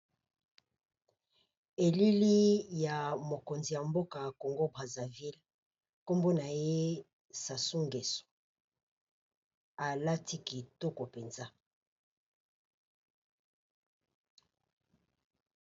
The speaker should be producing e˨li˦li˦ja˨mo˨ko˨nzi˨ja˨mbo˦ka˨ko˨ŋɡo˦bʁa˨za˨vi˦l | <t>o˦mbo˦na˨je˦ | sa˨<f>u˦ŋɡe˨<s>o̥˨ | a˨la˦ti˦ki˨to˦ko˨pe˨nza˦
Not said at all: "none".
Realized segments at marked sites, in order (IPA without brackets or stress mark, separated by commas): k, s, s